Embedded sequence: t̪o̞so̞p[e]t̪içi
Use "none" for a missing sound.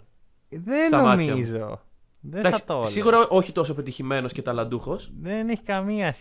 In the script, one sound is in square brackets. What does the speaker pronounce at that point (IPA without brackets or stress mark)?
e